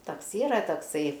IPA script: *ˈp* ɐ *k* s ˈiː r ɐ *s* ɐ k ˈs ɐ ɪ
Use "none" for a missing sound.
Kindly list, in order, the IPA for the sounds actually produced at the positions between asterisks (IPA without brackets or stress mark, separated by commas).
t, k, t